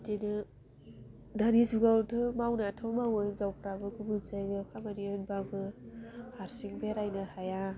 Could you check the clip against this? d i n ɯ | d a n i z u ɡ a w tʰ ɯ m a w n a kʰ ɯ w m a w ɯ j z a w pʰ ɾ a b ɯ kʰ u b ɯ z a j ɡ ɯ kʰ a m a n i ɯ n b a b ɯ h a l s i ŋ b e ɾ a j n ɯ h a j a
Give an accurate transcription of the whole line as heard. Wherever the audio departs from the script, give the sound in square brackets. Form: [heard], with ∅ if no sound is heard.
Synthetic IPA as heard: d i n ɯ | d a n i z u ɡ a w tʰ ɯ m a w n a [tʰ] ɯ w m a w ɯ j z a w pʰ ɾ a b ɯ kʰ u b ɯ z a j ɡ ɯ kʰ a m a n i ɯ n b a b ɯ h a [ɾ] s i ŋ b e ɾ a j n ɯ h a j a